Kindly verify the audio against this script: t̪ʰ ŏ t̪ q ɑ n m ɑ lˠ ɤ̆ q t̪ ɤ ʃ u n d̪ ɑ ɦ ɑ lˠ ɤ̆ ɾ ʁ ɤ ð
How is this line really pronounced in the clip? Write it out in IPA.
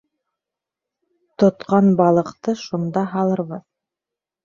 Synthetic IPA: t̪ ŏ t̪ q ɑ n b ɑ lˠ ɤ̆ q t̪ ɤ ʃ u n d̪ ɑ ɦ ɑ lˠ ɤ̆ ɾ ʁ ɤ ð